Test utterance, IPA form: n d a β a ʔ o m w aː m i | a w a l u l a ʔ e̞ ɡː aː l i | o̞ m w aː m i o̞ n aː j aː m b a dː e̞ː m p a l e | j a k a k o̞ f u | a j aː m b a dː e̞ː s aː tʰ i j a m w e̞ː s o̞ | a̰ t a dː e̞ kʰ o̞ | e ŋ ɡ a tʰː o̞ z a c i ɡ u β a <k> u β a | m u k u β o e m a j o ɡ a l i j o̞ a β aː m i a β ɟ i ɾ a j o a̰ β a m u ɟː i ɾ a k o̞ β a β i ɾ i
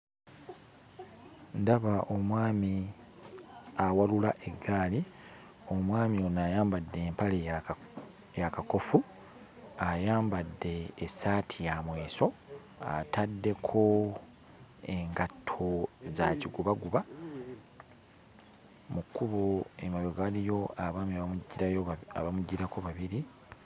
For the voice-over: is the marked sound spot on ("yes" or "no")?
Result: no